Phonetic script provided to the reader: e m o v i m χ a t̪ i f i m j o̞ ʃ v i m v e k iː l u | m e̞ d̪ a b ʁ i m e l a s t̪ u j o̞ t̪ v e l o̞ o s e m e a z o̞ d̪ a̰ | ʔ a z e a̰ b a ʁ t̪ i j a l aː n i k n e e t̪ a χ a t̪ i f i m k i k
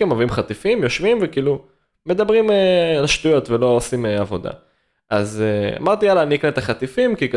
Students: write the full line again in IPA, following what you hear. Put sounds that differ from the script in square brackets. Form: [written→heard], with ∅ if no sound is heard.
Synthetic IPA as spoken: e m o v i m χ a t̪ i f i m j o̞ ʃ v i m v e k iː l u | m e̞ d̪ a b ʁ i m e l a [s→ʃ] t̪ u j o̞ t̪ v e l o̞ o s [e→i] m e a [z→v] o̞ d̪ a̰ | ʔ a z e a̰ [b→m] a ʁ t̪ i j a l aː n i k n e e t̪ a χ a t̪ i f i m k i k